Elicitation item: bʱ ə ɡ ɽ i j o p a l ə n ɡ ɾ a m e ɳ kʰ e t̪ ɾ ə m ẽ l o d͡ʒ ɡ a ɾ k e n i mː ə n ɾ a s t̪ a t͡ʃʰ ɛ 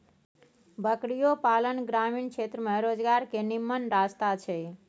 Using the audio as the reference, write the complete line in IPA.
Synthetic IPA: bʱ ə k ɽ i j o p a l ə n ɡ ɾ a m i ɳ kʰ e t̪ ɾ ə m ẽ ɾ o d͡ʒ ɡ a ɾ k e n i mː ə n ɾ a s t̪ a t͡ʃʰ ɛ